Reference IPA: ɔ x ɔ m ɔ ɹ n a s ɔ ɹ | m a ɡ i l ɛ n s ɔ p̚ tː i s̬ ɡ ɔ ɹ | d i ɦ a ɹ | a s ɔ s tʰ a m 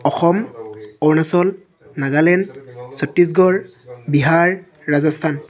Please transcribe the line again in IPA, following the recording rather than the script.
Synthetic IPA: ɔ x ɔ m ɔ ɹ n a s ɔ l | n a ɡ a l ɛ n s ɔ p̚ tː i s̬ ɡ ɔ ɹ | b i ɦ a ɹː | a z ɔ s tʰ a n